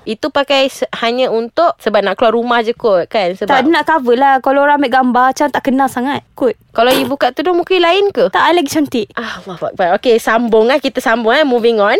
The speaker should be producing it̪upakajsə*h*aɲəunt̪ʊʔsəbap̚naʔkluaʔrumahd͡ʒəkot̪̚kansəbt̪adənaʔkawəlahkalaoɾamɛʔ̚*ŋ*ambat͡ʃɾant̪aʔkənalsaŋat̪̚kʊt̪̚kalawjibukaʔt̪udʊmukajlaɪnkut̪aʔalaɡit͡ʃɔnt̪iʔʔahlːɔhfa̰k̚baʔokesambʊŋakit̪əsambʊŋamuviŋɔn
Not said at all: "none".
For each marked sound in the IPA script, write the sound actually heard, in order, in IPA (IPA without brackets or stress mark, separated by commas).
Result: h, ɡ